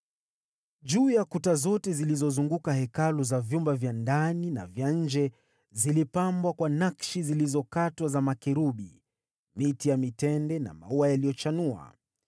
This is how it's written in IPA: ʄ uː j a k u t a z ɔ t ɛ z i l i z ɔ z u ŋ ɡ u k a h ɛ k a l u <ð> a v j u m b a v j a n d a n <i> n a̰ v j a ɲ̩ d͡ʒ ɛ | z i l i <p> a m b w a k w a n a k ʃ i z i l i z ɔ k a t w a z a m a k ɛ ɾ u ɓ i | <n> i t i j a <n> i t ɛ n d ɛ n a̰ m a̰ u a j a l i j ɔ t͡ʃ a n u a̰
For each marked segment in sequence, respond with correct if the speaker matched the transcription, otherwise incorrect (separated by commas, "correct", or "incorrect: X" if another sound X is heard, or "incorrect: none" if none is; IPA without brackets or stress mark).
incorrect: z, correct, correct, incorrect: m, incorrect: m